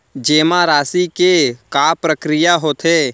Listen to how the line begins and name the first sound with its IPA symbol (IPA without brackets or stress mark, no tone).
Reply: d͡ʒ